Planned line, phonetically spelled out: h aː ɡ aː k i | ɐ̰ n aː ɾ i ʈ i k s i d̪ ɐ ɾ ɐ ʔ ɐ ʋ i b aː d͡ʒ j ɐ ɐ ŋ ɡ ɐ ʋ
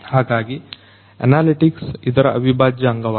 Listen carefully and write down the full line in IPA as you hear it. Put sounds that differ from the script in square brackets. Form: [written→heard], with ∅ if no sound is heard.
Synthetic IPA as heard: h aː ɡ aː [k→ɡ] i | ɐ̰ n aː [ɾ→l] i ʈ i k s i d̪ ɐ ɾ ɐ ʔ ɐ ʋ i b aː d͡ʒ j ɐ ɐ ŋ ɡ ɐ ʋ